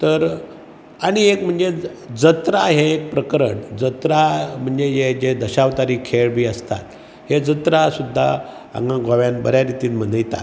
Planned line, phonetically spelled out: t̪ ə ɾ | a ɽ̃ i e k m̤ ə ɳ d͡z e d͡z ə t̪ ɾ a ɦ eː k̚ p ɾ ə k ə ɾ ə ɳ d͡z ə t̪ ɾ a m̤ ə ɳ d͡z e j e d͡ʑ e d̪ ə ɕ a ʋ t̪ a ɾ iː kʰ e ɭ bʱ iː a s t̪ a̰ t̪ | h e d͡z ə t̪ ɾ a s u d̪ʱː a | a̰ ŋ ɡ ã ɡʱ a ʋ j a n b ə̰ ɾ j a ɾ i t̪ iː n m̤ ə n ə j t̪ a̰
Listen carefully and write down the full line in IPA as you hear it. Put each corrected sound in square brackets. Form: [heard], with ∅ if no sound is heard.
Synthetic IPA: t̪ ə ɾ | a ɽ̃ i e k m̤ ə ɳ d͡z e d͡z ə t̪ ɾ a ɦ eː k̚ p ɾ ə k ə ɾ ə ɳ d͡z ə t̪ ɾ a m̤ ə ɳ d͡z e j e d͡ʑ e d̪ ə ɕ a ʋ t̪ a ɾ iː kʰ e ɭ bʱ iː [ə] s t̪ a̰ t̪ | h e d͡z ə t̪ ɾ a s u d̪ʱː a | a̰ ŋ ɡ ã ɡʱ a ʋ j a n b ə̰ ɾ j a ɾ i t̪ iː n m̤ ə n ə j t̪ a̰